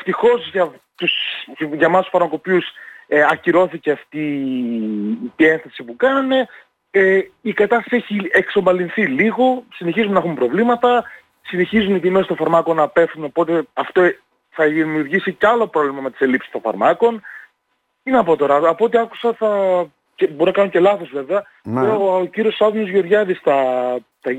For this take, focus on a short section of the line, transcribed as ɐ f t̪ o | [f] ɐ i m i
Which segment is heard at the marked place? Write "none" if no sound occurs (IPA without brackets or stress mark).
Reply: θ